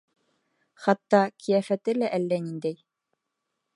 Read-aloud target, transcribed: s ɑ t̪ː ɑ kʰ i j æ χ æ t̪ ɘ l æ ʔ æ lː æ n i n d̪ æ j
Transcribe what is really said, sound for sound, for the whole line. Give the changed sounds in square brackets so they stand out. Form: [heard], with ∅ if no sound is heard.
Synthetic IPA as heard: [χ] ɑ t̪ː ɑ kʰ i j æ [f] æ t̪ ɘ l æ ʔ æ lː æ n i n d̪ æ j

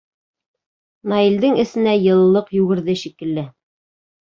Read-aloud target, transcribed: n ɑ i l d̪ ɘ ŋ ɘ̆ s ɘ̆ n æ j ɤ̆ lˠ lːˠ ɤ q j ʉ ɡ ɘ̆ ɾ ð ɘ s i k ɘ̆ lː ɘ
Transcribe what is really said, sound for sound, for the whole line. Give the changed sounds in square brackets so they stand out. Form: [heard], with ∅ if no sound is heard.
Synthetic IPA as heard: n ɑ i l d̪ ɘ ŋ ɘ̆ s ɘ̆ n æ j ɤ̆ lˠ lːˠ ɤ q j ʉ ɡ ɘ̆ ɾ ð ɘ [ʃ] i k ɘ̆ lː ɘ

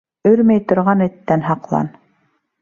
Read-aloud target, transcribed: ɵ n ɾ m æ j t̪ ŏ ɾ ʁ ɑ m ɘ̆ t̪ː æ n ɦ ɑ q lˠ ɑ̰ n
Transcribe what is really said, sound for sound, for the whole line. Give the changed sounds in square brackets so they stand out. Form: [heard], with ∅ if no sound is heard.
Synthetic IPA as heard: ɵ [∅] ɾ m æ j t̪ ŏ ɾ ʁ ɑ [n] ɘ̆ t̪ː æ n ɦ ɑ q lˠ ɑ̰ n

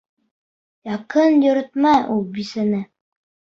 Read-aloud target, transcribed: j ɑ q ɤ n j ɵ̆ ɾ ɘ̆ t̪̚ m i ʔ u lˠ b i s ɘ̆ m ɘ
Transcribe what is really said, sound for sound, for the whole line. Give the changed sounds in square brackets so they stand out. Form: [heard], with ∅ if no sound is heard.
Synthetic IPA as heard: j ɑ q ɤ n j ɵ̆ ɾ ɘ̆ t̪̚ m [æ] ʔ u lˠ b i s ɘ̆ [n] ɘ

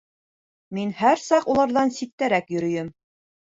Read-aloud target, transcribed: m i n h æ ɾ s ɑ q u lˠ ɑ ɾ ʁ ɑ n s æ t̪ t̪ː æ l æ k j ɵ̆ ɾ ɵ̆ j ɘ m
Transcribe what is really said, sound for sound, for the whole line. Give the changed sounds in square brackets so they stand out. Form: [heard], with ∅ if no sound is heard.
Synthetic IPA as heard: m i n h æ ɾ s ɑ q u lˠ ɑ ɾ [ð] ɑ n s [i] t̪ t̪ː æ [ɾ] æ k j ɵ̆ ɾ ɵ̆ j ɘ m

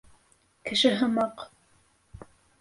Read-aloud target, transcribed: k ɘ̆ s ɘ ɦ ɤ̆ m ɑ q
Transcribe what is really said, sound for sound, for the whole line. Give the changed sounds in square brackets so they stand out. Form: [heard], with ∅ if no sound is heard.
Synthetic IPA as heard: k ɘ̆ [ʃ] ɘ ɦ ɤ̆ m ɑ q

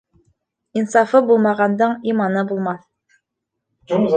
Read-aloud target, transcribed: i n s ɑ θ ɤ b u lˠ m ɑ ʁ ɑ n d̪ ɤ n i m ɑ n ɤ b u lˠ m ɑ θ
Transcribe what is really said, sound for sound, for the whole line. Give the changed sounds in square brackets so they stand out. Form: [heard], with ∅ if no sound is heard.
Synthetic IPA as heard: i n s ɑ [f] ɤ b u lˠ m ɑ ʁ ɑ n d̪ ɤ [ɴ] i m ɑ n ɤ b u lˠ m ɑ θ

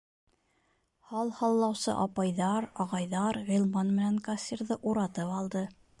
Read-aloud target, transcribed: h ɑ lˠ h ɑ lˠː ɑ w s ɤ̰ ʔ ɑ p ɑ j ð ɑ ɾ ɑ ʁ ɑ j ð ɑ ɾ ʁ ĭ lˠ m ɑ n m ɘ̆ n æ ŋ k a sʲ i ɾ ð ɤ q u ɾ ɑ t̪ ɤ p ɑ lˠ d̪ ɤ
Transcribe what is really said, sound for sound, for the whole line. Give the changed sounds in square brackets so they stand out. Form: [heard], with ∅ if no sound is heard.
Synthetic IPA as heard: h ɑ lˠ h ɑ lˠː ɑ w s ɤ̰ ʔ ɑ p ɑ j ð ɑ ɾ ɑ ʁ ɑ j ð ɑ ɾ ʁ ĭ lˠ m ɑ n m ɘ̆ n æ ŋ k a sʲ i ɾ ð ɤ [ʔ] u ɾ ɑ t̪ ɤ p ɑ lˠ d̪ ɤ

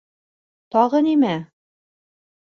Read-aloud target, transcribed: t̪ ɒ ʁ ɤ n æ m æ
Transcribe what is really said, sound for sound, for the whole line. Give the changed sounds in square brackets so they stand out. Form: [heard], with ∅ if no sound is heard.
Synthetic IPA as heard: t̪ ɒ ʁ ɤ n [i] m æ

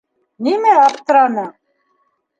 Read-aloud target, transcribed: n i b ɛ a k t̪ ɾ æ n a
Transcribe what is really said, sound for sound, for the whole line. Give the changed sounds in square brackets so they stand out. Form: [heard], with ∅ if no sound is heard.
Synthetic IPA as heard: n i [m] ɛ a [p] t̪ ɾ [a] n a

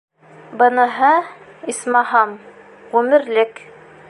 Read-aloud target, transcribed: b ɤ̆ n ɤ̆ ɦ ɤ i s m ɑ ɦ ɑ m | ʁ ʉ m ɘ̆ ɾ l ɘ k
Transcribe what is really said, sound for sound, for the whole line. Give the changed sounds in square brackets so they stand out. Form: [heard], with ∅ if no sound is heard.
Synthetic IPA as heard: b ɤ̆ n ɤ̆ ɦ ɤ i s m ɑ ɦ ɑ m | ʁ ʉ m ɘ̆ ɾ l ɘ k

